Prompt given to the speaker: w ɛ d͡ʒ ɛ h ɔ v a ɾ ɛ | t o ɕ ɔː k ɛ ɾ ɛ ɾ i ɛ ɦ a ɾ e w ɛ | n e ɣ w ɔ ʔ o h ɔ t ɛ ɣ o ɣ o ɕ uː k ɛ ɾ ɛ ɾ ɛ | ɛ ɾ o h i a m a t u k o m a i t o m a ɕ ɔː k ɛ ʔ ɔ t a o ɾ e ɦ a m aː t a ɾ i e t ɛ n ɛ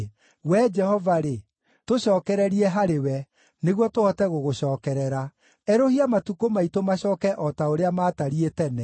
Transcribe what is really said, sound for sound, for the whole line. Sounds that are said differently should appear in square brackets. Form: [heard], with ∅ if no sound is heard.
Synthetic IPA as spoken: w ɛ d͡ʒ ɛ h ɔ v a ɾ [e] | t o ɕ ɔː k ɛ ɾ ɛ ɾ i ɛ ɦ a ɾ e w ɛ | n e ɣ w ɔ [t] o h ɔ t ɛ ɣ o ɣ o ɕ [ɔː] k ɛ ɾ ɛ ɾ [a] | ɛ ɾ o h i a m a t u k o m a i t o m a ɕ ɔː k ɛ ʔ ɔ t a o ɾ e [∅] a m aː t a ɾ i e t ɛ n ɛ